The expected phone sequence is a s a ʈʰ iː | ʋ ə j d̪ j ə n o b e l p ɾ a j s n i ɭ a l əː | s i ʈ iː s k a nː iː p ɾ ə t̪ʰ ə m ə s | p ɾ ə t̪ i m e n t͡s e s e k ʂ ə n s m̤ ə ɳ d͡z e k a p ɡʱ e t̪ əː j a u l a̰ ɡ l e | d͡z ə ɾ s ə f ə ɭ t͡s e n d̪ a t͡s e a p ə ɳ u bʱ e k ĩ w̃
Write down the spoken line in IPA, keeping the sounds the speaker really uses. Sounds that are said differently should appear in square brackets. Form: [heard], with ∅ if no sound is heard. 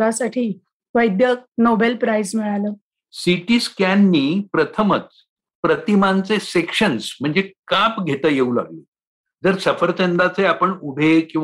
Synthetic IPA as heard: a s a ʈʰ iː | ʋ ə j d̪ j ə n o b e l p ɾ a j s [m] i ɭ a l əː | s i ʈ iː s k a nː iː p ɾ ə t̪ʰ ə m ə [t͡s] | p ɾ ə t̪ i m [a] n t͡s e s e k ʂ ə n s m̤ ə ɳ d͡z e k a p ɡʱ e t̪ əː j [e] u l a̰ ɡ l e | d͡z ə ɾ s ə f ə [ɾ] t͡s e n d̪ a t͡s e a p ə ɳ u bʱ e k ĩ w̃